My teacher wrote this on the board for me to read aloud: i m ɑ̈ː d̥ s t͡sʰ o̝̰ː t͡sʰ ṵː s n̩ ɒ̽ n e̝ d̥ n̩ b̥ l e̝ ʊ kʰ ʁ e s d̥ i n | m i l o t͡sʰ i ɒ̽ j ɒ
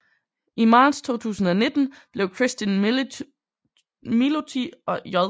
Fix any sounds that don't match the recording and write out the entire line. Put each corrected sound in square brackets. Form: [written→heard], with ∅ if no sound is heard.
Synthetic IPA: i m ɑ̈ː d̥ s t͡sʰ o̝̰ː t͡sʰ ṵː s n̩ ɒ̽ n e̝ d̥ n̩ b̥ l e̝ ʊ kʰ ʁ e s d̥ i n | m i l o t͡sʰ i ɒ̽ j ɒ